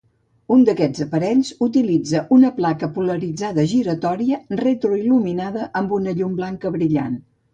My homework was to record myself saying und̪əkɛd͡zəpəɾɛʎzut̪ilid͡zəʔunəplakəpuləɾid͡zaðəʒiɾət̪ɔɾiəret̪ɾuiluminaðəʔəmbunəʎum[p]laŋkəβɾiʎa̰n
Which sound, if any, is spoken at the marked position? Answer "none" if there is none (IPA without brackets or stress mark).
b